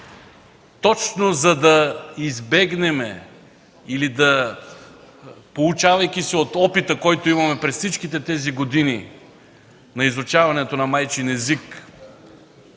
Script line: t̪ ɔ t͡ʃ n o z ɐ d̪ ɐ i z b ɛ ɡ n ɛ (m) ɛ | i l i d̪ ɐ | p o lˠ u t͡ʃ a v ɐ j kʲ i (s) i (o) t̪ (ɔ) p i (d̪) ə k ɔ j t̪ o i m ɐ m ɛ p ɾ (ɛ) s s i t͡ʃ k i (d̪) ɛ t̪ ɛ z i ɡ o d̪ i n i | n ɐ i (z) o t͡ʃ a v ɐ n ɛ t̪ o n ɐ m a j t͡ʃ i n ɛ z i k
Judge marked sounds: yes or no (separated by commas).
yes, yes, yes, yes, no, yes, no, yes